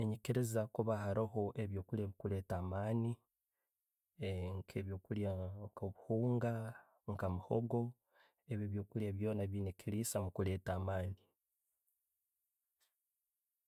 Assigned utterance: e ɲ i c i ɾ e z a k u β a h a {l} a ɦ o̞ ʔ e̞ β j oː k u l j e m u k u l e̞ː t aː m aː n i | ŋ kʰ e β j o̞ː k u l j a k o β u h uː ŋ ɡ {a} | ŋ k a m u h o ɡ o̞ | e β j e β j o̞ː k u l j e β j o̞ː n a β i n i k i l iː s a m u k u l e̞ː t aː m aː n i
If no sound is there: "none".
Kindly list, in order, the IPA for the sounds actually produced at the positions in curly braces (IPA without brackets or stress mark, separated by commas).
ɾ, a